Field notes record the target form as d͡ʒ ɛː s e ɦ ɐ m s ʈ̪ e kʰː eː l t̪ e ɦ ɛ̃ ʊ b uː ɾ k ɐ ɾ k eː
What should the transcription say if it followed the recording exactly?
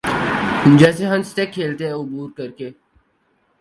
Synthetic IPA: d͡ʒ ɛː s e ɦ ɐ m s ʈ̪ e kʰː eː l t̪ e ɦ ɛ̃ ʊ b uː ɾ k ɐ ɾ k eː